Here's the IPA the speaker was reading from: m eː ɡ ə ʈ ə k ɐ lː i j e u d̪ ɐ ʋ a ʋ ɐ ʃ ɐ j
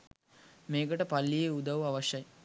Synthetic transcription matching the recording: m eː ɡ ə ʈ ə p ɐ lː i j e u d̪ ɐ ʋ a ʋ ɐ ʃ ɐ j